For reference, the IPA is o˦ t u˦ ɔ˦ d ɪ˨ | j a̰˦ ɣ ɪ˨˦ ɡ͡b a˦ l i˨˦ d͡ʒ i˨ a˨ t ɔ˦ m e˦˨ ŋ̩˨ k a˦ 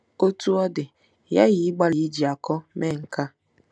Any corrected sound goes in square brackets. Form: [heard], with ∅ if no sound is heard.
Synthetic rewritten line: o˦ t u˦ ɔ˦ d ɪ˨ | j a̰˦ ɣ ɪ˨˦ ɡ͡b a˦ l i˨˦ d͡ʒ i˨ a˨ [k] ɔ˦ m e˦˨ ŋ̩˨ k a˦